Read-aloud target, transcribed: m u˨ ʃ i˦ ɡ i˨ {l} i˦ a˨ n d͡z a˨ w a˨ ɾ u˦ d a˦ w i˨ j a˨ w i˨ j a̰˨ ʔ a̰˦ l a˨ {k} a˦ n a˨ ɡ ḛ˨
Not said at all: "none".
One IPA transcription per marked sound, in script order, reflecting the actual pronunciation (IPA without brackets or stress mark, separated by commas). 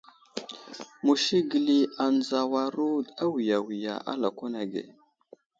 l, k